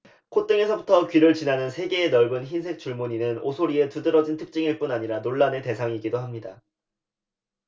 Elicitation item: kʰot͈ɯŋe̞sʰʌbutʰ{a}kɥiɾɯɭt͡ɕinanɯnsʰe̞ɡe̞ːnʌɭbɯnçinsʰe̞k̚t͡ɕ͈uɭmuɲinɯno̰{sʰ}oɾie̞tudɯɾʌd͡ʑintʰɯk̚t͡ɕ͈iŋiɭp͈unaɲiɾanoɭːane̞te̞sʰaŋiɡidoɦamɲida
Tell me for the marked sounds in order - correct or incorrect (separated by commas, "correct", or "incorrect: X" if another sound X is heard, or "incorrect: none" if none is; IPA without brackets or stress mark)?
incorrect: ʌ, correct